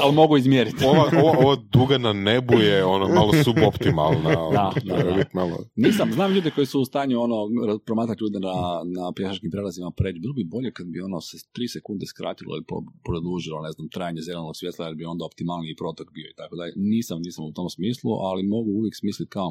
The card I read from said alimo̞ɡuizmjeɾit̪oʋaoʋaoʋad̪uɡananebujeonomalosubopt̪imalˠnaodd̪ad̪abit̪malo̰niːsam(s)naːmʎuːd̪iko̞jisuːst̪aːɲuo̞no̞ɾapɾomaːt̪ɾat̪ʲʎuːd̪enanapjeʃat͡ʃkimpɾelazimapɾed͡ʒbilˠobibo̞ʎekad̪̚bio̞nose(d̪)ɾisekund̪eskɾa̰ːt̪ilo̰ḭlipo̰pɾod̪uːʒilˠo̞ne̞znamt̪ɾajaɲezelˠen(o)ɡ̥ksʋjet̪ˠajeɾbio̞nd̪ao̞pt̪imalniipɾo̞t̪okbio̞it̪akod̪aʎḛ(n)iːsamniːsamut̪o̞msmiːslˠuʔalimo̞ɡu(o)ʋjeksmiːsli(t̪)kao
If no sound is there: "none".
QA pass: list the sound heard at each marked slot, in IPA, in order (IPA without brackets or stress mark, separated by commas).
z, t̪, o, n, u, t̪